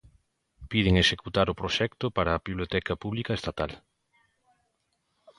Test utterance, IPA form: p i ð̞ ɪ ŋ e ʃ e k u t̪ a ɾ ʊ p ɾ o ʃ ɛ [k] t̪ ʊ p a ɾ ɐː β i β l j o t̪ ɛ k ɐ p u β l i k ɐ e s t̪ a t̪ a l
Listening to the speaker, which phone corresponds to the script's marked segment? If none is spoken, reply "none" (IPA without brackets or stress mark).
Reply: k